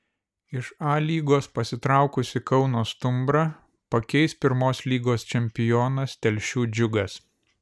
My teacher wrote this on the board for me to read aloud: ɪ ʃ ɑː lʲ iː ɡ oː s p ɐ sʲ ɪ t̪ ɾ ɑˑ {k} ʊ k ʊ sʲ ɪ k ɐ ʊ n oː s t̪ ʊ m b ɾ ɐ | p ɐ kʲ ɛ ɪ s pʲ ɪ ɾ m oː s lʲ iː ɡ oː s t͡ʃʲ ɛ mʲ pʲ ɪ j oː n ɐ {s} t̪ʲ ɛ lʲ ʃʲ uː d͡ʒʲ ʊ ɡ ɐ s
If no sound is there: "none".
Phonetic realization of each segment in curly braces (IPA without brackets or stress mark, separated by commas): none, s